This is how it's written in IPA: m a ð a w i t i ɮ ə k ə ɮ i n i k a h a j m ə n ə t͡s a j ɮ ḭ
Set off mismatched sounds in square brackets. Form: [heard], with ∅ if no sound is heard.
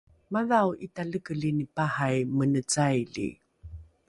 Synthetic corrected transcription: m a ð a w i t [a] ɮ ə k ə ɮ i n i [p] a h a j m ə n ə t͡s a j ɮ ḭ